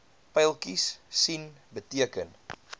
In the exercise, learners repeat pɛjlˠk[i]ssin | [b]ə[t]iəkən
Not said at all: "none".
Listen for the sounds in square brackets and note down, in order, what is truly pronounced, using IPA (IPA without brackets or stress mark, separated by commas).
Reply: i, b, t